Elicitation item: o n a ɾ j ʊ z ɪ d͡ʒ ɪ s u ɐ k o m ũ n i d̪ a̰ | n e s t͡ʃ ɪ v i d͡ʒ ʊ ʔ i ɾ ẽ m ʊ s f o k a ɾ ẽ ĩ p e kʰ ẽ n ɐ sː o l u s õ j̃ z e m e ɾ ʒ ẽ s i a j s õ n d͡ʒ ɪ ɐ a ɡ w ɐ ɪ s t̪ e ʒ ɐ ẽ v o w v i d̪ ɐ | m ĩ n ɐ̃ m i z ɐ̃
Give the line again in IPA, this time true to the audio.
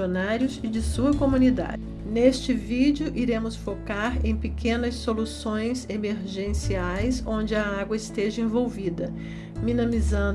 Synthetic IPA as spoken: o n a ɾ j ʊ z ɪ d͡ʒ ɪ s u ɐ k o m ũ n i d̪ a̰ | n e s t͡ʃ ɪ v i d͡ʒ ʊ ʔ i ɾ ẽ m ʊ s f o k a ɾ ẽ j̃ p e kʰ ẽ n ɐ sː o l u s õ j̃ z e m e ɾ ʒ ẽ s i a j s õ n d͡ʒ ɪ ɐ a ɡ w ɐ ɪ s t̪ e ʒ ɐ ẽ v o w v i d̪ ɐ | m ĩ n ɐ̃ m i z ɐ̃